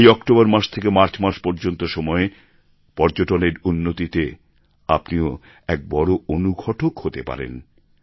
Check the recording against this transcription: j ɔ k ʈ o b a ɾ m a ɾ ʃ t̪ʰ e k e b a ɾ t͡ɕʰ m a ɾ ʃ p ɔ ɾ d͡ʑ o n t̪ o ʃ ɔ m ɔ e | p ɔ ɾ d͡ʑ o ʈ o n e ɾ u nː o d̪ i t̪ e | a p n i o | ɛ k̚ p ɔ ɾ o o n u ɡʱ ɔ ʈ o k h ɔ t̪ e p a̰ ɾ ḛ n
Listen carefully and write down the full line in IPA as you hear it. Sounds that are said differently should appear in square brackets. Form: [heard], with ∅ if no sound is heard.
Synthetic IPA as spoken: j ɔ k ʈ o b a ɾ m a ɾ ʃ t̪ʰ e k e [m] a ɾ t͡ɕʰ m a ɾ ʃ p ɔ ɾ d͡ʑ o n t̪ o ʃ ɔ m ɔ e | p ɔ ɾ d͡ʑ o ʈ o n e ɾ u nː o [t̪] i t̪ e | a p n i o | ɛ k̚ [b] ɔ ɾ o o n u ɡʱ ɔ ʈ o k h [o] t̪ e p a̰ ɾ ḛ n